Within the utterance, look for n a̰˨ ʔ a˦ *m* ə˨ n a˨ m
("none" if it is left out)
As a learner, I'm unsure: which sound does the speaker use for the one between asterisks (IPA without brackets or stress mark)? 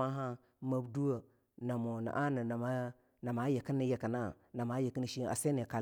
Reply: n